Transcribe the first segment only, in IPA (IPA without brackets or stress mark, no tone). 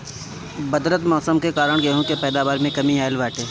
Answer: b